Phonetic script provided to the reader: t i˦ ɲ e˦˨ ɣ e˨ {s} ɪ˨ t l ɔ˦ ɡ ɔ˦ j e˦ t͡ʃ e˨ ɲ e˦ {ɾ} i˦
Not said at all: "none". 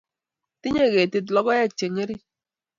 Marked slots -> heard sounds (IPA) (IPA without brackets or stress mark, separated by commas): t, ɾ